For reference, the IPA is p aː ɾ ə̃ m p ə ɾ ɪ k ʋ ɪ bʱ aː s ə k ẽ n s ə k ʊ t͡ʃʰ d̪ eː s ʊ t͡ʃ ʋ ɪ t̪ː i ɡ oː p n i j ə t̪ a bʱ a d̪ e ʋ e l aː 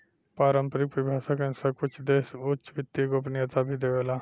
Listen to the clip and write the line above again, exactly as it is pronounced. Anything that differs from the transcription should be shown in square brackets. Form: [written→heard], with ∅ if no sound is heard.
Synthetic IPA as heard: p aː ɾ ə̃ m p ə ɾ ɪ k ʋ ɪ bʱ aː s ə k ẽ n s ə k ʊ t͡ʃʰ d̪ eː s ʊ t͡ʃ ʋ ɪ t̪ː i ɡ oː p n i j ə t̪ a bʱ [a→i] d̪ e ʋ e l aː